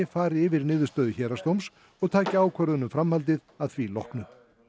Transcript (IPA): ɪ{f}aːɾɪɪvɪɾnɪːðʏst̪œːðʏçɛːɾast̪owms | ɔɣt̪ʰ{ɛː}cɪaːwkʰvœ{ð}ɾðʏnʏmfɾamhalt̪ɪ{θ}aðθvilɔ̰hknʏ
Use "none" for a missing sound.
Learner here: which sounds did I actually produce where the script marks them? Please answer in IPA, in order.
f, aː, none, ð

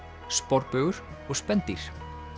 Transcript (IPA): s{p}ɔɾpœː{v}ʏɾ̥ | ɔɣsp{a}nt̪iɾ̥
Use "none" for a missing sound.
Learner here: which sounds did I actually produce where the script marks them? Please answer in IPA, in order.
p, ɣ, ɛ

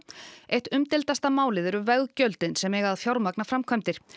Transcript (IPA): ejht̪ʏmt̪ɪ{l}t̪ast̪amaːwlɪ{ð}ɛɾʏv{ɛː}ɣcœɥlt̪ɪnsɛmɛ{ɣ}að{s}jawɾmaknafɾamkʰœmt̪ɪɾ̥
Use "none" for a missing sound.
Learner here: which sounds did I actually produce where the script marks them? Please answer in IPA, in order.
l, ð, ɛ, ɣ, f

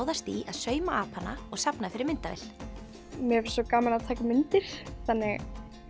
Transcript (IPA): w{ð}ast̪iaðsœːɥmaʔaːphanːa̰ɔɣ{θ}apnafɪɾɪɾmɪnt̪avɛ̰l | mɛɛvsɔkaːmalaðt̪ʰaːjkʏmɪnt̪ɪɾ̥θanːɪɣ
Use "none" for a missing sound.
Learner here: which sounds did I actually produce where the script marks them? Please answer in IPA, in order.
ð, s

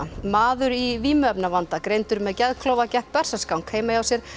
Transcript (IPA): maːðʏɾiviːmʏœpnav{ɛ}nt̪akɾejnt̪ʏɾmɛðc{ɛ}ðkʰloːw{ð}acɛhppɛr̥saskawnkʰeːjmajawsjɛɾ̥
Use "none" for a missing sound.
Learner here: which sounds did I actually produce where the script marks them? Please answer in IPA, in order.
a, ɛ, v

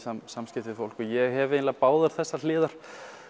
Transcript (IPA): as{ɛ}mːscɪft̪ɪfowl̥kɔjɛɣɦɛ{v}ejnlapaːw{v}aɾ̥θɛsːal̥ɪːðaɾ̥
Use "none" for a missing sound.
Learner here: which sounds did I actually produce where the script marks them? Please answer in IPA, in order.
a, v, ð

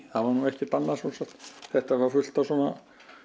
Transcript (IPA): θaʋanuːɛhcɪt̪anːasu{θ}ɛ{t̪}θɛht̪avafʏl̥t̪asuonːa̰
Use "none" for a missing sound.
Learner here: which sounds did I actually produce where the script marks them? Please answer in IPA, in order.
s, t̪

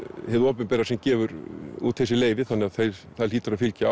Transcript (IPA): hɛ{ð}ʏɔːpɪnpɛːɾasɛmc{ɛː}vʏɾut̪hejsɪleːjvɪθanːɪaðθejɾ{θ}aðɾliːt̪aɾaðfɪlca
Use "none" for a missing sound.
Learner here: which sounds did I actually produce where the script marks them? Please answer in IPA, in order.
ð, ɛː, θ

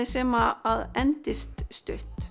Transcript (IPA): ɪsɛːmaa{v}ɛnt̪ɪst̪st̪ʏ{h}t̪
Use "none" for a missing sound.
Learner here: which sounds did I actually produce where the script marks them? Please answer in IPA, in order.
ð, h

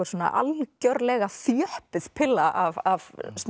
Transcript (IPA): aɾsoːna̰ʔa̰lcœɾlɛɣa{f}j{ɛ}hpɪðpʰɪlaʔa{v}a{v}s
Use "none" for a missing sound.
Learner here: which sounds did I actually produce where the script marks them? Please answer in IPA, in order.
θ, œ, v, v

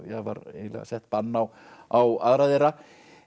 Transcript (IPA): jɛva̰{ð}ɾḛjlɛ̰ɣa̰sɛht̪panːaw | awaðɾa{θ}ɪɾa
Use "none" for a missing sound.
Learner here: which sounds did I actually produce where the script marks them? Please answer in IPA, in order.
none, ð

